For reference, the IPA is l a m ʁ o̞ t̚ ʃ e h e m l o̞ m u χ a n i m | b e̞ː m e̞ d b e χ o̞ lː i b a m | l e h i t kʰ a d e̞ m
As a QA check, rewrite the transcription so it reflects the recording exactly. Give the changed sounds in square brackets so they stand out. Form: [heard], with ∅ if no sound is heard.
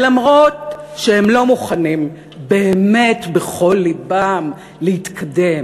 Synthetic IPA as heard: l a m ʁ o̞ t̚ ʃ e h e m l o̞ m u χ a n i m | b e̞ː m e̞ [t] b e χ o̞ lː i b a m | l e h i t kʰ a d e̞ m